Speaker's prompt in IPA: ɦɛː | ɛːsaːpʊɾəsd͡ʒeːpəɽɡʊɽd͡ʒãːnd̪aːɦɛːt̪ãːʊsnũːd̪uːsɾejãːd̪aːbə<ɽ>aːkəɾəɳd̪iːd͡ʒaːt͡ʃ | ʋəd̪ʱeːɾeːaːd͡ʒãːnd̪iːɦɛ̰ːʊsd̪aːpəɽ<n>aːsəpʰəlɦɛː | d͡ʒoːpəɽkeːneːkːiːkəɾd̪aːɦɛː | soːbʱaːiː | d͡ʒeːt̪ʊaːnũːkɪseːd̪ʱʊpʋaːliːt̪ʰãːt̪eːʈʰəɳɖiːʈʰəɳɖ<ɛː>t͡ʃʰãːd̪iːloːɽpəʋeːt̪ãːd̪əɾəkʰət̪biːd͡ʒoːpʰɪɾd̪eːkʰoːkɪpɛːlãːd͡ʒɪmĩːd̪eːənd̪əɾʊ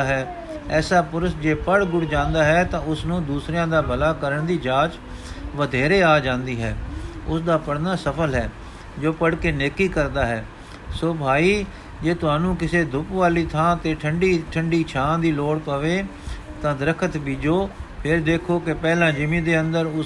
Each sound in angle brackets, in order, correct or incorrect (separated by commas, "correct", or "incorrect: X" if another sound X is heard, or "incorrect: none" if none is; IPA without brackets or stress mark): incorrect: l, correct, incorrect: iː